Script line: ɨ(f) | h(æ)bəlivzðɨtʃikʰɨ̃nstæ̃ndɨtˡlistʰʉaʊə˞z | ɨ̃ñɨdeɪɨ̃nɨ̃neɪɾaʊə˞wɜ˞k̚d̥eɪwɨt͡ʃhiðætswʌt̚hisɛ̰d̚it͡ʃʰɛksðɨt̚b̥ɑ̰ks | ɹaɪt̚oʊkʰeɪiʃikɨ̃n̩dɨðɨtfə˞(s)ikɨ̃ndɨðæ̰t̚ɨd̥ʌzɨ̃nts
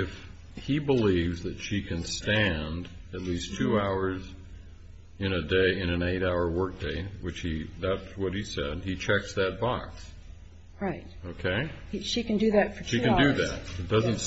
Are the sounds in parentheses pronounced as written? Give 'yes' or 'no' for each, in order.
yes, no, no

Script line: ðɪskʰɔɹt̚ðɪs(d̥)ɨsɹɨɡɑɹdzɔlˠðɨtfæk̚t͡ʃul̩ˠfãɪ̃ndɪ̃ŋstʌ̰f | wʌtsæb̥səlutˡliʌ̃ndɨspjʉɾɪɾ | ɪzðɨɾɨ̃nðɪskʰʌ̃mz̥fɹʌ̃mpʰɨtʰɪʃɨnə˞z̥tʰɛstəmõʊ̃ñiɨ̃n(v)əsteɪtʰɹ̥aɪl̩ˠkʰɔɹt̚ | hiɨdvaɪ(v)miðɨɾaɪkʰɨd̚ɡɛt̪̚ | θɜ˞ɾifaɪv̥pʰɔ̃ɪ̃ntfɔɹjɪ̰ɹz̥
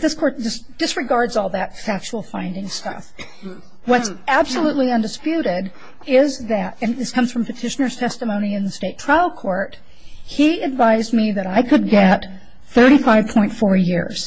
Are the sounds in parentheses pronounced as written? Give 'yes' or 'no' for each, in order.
yes, no, no

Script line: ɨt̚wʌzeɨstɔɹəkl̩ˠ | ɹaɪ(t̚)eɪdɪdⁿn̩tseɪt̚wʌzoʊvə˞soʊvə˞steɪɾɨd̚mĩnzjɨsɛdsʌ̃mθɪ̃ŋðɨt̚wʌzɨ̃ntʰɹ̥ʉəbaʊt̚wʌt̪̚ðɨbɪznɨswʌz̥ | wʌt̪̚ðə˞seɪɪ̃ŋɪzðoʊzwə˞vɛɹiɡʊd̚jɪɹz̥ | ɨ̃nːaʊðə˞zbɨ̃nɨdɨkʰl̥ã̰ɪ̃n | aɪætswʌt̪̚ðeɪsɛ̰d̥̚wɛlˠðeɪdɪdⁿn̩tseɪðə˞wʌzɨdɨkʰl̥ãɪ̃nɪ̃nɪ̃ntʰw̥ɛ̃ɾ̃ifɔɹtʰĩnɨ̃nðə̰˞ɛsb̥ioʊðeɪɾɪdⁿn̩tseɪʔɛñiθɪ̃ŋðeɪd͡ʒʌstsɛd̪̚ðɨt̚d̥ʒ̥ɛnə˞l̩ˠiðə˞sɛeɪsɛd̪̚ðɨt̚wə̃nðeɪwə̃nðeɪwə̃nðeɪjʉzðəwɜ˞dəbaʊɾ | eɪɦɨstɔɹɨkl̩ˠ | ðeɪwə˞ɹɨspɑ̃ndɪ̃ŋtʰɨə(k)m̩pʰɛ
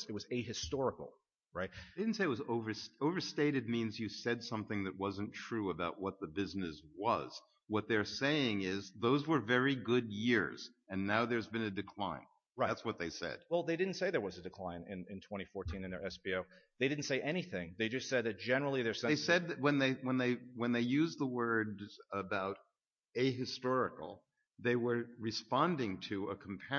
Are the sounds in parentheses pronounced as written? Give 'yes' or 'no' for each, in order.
yes, no

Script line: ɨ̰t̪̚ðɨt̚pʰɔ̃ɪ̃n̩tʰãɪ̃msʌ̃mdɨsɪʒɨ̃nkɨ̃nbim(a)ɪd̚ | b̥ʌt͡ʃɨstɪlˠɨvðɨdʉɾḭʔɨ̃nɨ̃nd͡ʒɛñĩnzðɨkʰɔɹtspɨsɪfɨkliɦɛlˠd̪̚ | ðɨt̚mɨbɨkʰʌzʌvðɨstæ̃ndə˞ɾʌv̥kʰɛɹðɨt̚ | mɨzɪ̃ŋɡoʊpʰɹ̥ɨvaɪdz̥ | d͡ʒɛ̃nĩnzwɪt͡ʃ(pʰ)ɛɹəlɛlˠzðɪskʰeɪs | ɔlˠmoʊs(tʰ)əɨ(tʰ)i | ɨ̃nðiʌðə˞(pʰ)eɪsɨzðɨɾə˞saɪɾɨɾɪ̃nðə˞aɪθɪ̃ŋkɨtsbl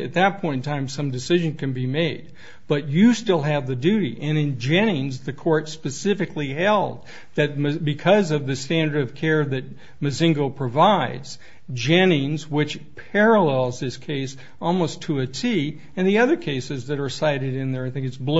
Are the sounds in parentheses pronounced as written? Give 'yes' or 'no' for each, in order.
no, yes, yes, yes, no

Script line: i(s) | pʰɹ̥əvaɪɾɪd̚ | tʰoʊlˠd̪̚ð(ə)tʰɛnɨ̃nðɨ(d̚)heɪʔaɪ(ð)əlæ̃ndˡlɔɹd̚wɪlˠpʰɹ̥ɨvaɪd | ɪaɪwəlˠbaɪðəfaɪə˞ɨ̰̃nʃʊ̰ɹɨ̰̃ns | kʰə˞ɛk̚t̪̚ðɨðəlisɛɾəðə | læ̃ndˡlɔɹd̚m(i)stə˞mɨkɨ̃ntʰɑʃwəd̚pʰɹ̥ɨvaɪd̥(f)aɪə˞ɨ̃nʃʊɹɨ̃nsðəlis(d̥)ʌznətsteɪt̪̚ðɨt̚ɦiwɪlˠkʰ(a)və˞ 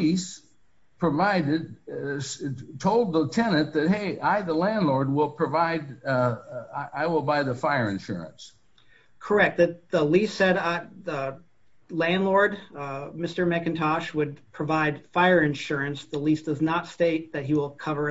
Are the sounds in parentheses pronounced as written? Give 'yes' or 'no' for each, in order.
yes, yes, no, yes, no, yes, yes, no

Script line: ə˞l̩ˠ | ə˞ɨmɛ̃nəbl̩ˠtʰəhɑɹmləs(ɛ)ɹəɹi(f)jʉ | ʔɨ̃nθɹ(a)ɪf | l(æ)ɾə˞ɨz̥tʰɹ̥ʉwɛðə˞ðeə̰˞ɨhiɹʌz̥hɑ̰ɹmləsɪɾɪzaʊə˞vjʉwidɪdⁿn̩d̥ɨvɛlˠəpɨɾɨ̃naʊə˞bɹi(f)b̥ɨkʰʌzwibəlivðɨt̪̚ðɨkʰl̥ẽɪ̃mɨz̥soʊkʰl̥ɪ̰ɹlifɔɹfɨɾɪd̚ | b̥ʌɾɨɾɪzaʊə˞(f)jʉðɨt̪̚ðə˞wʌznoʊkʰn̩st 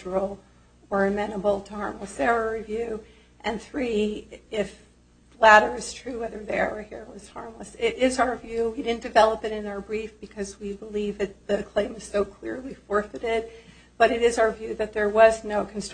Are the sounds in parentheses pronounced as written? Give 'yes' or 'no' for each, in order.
yes, no, no, yes, yes, no

